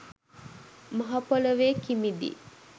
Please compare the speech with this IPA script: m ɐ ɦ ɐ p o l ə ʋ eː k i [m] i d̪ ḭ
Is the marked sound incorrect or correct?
correct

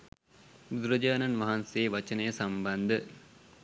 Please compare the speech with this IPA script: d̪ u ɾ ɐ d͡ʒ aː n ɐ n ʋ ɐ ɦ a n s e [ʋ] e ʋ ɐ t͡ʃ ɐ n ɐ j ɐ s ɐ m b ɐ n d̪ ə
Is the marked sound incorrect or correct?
incorrect: none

